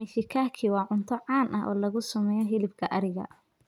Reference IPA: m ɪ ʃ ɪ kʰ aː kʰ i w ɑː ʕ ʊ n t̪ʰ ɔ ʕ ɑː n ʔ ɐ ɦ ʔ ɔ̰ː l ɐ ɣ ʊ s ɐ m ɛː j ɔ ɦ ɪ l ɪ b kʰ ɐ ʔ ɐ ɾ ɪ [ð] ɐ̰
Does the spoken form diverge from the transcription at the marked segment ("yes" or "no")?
yes